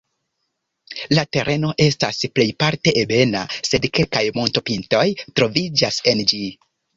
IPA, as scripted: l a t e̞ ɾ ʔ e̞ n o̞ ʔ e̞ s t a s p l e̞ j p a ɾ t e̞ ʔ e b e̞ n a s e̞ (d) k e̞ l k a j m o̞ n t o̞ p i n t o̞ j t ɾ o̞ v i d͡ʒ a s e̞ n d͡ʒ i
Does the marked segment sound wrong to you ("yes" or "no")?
no